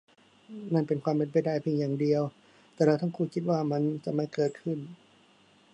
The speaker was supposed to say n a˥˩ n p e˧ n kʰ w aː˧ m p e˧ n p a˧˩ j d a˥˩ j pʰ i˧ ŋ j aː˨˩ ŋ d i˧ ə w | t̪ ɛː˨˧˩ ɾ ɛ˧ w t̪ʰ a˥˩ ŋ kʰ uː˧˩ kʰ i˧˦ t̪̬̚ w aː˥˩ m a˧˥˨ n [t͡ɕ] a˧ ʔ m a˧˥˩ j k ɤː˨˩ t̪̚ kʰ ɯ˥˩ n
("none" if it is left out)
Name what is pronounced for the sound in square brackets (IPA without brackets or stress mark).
t͡ɕ